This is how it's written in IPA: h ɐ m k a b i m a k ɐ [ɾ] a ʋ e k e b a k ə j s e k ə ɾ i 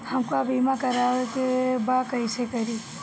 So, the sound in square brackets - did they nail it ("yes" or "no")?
yes